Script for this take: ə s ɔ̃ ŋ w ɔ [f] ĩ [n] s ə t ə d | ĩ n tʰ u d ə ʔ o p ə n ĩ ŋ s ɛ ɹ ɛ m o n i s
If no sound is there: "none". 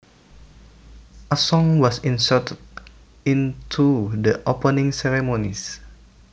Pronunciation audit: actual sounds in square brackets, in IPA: s, n

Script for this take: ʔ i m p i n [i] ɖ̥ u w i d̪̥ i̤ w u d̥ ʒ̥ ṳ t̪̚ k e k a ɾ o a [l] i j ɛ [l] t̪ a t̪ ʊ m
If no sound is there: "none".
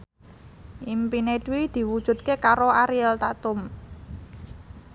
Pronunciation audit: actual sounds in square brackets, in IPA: e, ɾ, l

